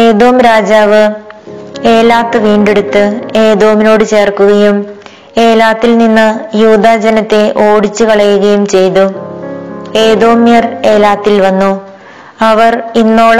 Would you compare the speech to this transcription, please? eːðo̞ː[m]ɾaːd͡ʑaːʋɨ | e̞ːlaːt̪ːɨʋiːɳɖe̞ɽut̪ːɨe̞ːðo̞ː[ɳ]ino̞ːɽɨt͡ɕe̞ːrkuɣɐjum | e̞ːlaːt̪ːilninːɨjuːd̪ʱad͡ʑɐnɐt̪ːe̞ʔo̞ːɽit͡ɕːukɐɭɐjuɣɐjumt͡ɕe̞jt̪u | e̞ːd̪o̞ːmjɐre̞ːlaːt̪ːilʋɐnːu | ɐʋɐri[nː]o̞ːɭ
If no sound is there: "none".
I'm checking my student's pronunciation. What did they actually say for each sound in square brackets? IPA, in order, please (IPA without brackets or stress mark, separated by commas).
m, m, nː